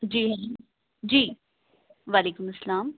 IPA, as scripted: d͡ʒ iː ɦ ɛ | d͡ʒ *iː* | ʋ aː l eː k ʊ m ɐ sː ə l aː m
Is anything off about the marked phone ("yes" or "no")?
no